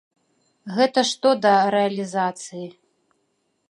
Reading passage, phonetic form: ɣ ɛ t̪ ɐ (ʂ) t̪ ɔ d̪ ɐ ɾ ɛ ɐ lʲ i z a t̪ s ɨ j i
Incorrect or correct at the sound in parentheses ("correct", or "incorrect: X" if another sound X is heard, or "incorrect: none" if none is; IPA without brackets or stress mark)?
correct